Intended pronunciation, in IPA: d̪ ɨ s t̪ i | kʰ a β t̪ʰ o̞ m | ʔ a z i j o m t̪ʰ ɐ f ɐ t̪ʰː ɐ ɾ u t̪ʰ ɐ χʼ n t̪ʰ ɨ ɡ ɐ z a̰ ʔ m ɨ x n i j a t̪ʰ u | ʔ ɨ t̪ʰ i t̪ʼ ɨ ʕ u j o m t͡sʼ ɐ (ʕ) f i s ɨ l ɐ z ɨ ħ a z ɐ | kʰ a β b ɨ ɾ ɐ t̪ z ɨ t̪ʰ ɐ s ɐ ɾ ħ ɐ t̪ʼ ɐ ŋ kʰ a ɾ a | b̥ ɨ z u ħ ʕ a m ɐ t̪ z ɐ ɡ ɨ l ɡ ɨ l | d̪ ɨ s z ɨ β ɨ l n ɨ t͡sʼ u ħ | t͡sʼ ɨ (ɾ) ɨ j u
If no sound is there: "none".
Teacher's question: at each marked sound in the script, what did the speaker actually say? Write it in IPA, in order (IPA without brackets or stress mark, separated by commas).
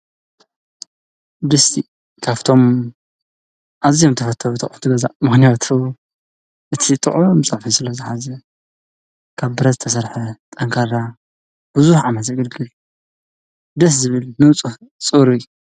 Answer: ʕ, ɾ